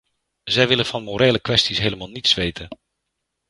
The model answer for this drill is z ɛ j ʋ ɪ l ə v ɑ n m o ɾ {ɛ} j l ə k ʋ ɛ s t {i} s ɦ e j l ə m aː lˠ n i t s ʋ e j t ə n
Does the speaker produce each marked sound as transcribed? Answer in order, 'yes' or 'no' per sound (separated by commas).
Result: no, yes